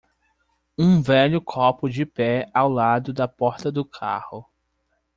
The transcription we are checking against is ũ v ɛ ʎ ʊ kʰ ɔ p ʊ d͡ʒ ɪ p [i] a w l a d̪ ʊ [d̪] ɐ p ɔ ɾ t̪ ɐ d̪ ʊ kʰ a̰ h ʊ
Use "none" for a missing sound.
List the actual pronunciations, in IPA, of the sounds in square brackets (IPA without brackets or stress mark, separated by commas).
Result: ɛ, d̪